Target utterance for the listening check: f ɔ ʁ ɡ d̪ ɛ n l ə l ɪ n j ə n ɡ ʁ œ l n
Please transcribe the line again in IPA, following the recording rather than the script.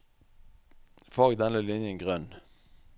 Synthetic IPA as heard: f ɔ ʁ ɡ d̪ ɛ n l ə l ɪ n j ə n ɡ ʁ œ n